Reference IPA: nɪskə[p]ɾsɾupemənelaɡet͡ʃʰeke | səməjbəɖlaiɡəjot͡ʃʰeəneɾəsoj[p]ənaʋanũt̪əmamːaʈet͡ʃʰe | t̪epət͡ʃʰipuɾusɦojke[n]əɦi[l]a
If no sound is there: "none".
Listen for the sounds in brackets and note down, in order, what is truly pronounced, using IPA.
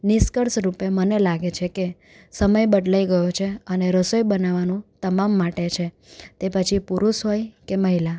none, b, m, l

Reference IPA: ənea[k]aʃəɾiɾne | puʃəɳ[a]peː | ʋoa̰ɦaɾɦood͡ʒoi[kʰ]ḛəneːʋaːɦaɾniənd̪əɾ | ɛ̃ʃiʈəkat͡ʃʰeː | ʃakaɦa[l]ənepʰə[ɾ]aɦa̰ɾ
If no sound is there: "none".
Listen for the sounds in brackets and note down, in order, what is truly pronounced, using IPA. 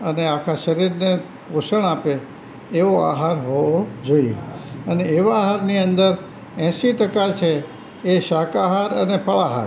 kʰ, a, none, ɾ, ɭ

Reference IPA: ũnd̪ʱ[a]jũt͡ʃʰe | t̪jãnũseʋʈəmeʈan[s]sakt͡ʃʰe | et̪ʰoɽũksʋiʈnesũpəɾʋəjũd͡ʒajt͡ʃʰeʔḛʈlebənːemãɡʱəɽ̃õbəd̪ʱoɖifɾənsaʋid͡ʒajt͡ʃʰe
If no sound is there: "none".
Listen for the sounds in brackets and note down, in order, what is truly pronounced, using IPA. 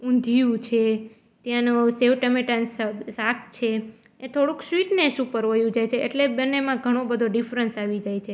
i, s

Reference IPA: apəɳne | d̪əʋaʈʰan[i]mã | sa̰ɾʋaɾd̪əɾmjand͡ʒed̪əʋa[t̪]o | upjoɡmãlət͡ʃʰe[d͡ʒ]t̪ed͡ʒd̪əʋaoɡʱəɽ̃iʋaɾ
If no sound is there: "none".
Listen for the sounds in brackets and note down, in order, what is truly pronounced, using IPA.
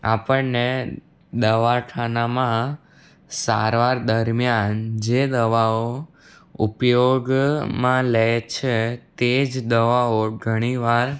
a, none, none

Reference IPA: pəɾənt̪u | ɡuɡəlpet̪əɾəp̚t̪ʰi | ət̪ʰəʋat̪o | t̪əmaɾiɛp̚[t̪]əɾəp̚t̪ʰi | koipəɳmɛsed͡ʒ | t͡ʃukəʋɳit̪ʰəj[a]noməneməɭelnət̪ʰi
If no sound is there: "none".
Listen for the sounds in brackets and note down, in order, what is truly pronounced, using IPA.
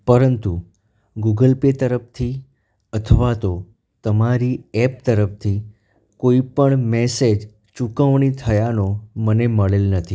t̪, a

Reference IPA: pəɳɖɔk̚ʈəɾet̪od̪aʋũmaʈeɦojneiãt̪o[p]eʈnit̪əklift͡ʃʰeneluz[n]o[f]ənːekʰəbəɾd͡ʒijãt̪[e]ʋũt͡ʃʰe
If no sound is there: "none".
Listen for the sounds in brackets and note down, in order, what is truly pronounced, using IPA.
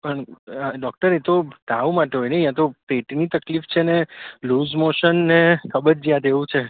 p, m, ʃ, e

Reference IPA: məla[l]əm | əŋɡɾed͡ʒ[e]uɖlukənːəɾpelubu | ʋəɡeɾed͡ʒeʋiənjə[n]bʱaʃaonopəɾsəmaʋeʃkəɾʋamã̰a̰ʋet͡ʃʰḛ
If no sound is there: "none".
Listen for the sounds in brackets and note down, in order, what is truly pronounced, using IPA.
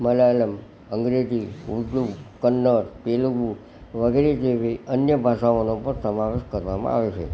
l, i, none

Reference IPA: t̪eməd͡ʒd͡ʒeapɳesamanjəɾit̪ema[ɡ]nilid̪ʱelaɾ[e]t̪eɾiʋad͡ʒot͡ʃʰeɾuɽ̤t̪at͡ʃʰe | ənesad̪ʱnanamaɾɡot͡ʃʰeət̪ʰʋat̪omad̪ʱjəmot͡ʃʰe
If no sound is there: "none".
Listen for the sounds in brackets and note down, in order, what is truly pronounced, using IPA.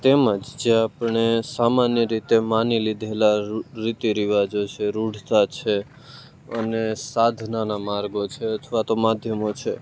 none, i

